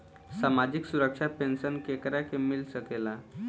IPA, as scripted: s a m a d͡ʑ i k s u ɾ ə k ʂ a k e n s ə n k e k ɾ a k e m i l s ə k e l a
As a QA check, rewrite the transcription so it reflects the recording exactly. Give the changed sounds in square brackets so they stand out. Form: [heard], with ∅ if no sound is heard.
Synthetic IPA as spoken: s a m a d͡ʑ i k s u ɾ ə k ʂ a [p] e n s ə n k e k ɾ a k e m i l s ə k e l a

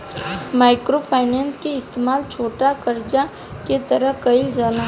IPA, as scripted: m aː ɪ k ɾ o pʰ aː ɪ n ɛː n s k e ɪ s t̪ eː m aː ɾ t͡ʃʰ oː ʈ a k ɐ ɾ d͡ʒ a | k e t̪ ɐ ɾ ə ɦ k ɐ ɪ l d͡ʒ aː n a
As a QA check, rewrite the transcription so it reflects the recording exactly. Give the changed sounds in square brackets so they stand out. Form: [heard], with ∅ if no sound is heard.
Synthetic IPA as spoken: m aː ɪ k ɾ o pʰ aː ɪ n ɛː n s k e ɪ s t̪ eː m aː [l] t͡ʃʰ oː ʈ a k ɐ ɾ d͡ʒ a | k e t̪ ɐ ɾ ə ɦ k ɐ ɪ l d͡ʒ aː n a

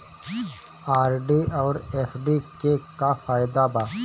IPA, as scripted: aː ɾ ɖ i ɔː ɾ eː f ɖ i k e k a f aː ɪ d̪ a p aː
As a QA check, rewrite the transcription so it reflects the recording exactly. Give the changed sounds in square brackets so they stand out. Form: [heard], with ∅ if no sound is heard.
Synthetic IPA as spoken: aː ɾ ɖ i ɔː ɾ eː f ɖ i k e k a f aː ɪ d̪ a [b] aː

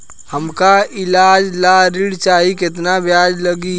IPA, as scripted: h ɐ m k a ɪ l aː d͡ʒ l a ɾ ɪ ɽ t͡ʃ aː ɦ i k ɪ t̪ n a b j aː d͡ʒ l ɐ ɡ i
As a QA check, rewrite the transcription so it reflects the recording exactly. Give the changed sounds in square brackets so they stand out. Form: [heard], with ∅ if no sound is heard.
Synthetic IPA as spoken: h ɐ m k a ɪ l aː d͡ʒ l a ɾ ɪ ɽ t͡ʃ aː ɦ i k ɪ t̪ n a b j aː d͡ʒ l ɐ ɡ i

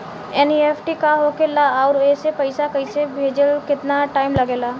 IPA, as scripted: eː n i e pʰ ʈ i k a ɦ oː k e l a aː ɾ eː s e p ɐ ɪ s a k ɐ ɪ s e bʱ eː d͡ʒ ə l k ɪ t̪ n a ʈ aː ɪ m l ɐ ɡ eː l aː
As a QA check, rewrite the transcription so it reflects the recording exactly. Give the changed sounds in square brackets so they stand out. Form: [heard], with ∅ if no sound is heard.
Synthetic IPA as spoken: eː n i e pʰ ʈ i k a ɦ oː k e l a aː ɾ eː s e p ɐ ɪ s a k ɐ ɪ s e bʱ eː d͡ʒ ə l k ɪ t̪ n a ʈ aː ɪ m l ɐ ɡ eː l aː

